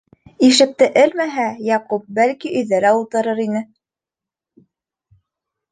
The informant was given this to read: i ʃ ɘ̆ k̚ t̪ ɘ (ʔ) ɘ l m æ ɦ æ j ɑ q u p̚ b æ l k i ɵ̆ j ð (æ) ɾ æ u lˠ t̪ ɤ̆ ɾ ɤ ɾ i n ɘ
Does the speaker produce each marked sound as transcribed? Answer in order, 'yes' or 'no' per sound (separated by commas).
yes, yes